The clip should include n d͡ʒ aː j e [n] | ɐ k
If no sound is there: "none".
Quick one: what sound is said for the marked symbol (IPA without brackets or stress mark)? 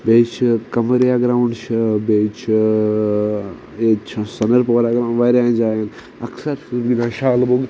n